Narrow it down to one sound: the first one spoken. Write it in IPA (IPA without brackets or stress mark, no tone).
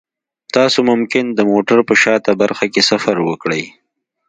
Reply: t̪